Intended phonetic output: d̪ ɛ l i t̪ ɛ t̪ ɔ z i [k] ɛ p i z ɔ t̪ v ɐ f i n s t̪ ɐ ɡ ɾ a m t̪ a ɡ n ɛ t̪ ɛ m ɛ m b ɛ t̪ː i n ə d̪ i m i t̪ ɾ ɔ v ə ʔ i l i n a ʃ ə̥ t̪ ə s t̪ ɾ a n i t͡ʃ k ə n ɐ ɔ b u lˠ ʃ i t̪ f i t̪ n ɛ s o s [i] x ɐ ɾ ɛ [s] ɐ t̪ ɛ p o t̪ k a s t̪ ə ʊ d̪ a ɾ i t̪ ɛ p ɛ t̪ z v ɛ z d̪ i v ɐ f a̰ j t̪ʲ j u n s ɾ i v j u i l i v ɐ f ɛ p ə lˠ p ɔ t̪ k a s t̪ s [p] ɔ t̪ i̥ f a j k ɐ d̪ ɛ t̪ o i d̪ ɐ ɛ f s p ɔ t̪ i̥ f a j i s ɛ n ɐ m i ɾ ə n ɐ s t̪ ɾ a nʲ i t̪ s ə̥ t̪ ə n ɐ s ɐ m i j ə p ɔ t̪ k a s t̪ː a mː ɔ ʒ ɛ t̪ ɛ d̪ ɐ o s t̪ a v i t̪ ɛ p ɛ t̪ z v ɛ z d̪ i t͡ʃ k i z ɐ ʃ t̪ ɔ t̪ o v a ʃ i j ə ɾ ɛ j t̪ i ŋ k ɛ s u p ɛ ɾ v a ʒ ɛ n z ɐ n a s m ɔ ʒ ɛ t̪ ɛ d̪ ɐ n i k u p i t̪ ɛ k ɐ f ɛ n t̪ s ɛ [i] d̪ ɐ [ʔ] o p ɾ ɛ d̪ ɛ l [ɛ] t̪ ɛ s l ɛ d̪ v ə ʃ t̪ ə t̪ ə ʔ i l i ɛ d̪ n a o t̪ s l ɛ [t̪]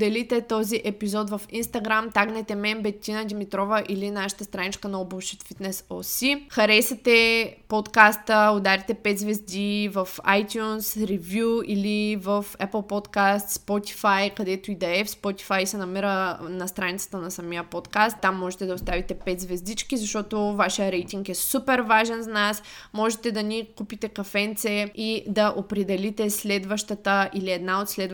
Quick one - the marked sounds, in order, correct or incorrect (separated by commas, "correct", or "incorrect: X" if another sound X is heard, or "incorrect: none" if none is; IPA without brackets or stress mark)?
incorrect: ʔ, correct, correct, correct, correct, correct, incorrect: i, incorrect: d̪